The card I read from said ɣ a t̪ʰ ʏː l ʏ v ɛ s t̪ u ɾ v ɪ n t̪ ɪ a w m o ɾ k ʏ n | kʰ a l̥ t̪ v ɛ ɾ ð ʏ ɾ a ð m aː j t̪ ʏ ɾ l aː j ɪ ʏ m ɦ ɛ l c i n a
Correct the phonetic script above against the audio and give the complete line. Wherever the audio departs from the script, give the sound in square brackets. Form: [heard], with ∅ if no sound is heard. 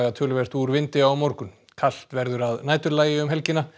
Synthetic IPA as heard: ɣ a t̪ʰ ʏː l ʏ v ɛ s t̪ u ɾ v ɪ n t̪ ɪ a w m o ɾ k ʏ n | kʰ a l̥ t̪ v ɛ ɾ ð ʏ ɾ a ð [n] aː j t̪ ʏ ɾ l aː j ɪ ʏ m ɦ ɛ l c [ɪ] n a

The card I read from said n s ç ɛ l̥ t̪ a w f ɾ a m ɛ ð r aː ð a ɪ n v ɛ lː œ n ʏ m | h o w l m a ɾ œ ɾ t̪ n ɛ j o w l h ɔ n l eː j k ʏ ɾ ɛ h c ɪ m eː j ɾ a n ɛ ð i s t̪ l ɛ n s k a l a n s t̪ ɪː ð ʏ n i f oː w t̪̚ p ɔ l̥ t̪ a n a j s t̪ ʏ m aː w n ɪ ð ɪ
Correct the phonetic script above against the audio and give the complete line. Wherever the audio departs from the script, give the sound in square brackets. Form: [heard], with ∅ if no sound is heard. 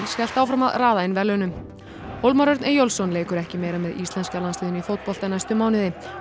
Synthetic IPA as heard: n s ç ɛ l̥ t̪ a w f ɾ a m [a] ð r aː ð a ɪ n v ɛ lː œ n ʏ m | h o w l m a ɾ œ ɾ t̪ n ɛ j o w l [s] ɔ n l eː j k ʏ ɾ ɛ h c ɪ m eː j ɾ a [m] ɛ ð i s t̪ l ɛ n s k a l a n s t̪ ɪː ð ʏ n i f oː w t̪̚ p ɔ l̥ t̪ a n a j s t̪ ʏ m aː w n ɪ ð ɪ

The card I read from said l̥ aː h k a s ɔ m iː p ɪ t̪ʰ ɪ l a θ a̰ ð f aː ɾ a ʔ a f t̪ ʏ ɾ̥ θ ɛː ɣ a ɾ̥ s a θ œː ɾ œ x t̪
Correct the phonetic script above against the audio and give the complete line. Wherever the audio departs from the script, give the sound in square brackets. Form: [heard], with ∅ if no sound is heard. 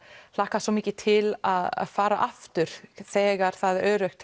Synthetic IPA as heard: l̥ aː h k a s ɔ m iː [c] ɪ t̪ʰ ɪ l a [ð] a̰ ð f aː ɾ a ʔ a f t̪ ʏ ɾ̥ θ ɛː ɣ a ɾ̥ [θ] a [ð] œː ɾ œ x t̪

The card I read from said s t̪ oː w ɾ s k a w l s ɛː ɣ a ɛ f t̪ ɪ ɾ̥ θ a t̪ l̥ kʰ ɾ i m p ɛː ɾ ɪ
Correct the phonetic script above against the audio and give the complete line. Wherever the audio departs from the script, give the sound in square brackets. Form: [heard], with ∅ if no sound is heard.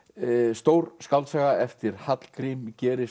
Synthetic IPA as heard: s t̪ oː w ɾ s k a w l s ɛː ɣ a ɛ f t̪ ɪ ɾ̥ [h] a t̪ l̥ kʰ ɾ i m [c] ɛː ɾ ɪ

